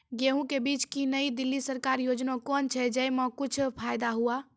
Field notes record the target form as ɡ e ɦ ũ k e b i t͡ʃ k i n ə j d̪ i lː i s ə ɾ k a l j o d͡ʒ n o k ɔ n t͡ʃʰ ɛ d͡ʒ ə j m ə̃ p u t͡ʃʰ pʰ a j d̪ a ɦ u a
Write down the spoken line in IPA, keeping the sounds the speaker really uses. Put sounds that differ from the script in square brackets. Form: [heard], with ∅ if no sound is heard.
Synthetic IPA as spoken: ɡ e ɦ ũ k e b i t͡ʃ k i n ə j d̪ i lː i s ə ɾ k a [ɾ] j o d͡ʒ n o k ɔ n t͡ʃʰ ɛ d͡ʒ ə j m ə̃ [k] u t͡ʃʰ pʰ a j d̪ a ɦ u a